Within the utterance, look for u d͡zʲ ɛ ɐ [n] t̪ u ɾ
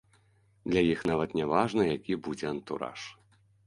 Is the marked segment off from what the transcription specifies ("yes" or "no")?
no